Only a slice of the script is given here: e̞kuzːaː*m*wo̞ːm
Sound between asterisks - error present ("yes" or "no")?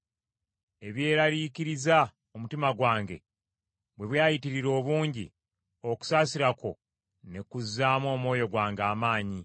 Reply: no